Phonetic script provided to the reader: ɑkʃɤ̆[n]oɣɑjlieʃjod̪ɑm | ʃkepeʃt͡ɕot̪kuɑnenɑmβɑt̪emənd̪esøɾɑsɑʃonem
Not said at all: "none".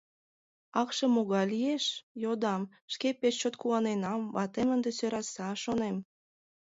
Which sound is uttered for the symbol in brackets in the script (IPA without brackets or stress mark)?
m